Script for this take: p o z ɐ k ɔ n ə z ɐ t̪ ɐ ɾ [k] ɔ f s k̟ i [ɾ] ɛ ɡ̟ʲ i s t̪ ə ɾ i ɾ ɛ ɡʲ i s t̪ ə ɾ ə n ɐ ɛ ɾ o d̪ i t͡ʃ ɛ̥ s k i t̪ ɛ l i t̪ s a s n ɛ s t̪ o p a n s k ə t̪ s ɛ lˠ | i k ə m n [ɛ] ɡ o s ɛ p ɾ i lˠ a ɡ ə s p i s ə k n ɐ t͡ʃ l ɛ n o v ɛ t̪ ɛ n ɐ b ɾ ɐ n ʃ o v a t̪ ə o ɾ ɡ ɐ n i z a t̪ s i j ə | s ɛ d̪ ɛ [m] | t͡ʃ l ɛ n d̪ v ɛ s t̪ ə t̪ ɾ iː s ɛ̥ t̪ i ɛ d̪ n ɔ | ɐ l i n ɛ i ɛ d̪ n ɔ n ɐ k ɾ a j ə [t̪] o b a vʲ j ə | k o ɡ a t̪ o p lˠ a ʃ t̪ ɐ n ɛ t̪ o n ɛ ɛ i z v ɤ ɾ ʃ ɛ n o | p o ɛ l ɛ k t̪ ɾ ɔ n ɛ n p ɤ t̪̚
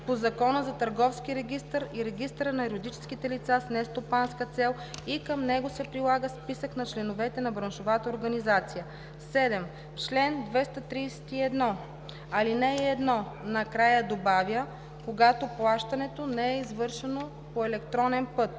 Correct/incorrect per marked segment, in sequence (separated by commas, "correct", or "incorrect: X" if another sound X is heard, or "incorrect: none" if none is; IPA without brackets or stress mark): incorrect: ɡ, correct, correct, correct, incorrect: d̪